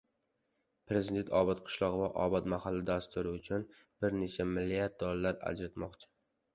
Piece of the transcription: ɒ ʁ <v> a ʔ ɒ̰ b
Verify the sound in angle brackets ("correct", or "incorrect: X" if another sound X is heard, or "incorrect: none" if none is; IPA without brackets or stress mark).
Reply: correct